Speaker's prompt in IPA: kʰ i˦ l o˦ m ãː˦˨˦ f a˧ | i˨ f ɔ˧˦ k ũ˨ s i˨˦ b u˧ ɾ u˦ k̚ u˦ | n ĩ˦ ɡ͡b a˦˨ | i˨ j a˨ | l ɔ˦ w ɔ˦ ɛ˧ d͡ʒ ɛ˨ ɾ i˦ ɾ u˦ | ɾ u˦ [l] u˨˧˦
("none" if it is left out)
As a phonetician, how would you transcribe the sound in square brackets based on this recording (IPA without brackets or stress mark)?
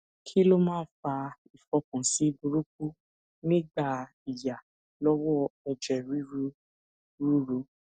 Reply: ɾ